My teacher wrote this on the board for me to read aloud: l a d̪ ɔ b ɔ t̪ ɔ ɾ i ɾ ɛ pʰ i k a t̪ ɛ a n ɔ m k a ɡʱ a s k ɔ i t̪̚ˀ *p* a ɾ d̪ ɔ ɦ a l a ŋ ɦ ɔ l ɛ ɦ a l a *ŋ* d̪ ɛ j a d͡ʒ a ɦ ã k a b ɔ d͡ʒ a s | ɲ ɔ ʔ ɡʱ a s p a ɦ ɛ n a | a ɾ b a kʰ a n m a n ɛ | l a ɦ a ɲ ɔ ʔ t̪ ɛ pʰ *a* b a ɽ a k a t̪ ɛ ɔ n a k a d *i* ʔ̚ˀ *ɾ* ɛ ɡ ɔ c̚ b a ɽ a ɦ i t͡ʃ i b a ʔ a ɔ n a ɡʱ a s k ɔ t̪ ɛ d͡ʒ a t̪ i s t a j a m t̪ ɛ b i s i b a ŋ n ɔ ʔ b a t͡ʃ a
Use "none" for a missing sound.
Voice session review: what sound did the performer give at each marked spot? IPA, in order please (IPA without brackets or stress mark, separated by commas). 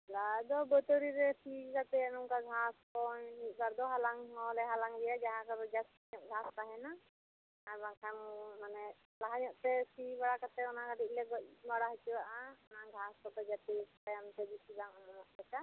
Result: b, ŋ, i, i, l